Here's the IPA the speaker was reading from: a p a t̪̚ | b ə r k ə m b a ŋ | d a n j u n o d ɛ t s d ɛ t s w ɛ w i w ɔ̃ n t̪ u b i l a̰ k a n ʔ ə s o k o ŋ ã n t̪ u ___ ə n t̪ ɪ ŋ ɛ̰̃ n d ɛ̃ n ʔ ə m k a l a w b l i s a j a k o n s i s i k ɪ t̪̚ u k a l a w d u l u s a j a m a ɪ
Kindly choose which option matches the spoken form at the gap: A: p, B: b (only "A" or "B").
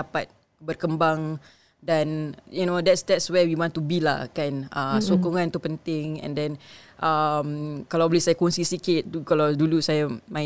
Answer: A